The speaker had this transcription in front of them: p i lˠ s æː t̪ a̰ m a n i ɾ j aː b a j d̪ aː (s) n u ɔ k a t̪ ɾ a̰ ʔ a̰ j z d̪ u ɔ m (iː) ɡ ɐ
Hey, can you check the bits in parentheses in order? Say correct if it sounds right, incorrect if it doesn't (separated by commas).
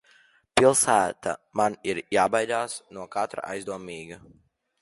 correct, correct